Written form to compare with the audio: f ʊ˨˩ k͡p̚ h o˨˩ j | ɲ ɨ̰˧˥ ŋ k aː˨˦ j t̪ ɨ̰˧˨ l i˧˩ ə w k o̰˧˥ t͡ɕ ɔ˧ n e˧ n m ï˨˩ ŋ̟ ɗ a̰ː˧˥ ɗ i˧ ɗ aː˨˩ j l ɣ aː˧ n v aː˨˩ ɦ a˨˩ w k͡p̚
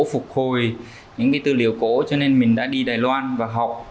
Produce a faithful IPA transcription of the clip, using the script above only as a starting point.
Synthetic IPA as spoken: f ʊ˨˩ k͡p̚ h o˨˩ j | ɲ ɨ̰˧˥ ŋ k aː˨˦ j t̪ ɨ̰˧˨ l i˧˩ ə w k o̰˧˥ t͡ɕ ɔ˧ n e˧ n m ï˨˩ ŋ̟ ɗ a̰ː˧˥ ɗ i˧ ɗ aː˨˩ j l w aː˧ n v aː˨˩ ɦ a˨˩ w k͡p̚